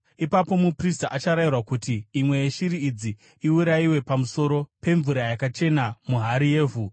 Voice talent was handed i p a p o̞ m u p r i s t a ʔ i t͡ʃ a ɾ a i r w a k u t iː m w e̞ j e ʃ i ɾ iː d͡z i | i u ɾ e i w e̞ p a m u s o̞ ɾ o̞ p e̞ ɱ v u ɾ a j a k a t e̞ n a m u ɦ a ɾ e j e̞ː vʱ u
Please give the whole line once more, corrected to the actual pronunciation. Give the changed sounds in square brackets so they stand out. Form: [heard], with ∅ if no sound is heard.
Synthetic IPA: i p a p o̞ m u p r i s t a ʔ [a] t͡ʃ a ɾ a i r w a k u t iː m w e̞ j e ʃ i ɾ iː d͡z i | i u ɾ [a] i w e̞ p a m u s o̞ ɾ o̞ p e̞ ɱ v u ɾ a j a k a [t͡ʃ] e̞ n a m u ɦ a ɾ [i] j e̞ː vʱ u